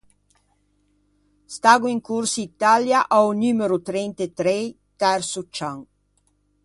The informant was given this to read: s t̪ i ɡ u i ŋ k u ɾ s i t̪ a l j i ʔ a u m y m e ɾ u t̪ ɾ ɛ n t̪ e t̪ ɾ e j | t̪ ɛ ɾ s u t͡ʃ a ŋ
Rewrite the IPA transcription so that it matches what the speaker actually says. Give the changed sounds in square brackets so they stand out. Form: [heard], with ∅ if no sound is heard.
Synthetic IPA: s t̪ [a] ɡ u i ŋ k u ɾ s i t̪ a l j [a] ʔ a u [n] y m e ɾ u t̪ ɾ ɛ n t̪ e t̪ ɾ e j | t̪ ɛ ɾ s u t͡ʃ a ŋ